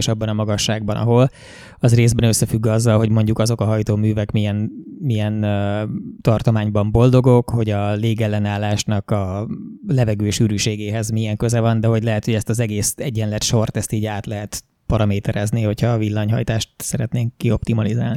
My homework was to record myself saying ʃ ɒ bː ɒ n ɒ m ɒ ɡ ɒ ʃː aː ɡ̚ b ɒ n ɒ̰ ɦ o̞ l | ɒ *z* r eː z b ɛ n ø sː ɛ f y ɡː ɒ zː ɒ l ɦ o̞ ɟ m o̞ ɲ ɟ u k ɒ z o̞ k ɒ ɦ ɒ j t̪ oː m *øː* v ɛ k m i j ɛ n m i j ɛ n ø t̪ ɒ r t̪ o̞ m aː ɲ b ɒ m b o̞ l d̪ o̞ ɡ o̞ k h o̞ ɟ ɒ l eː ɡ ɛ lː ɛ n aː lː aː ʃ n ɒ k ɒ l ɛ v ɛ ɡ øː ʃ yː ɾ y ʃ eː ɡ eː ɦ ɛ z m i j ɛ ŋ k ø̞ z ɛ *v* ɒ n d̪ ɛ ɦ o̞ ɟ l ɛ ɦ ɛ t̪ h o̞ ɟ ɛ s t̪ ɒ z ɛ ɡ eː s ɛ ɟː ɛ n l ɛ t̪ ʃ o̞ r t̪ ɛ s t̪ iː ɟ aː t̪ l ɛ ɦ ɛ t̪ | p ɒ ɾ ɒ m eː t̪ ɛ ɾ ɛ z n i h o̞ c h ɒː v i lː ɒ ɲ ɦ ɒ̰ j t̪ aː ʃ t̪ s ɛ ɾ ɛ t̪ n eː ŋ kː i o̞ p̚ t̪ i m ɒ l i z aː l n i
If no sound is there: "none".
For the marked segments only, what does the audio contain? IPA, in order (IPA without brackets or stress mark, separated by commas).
z, yː, v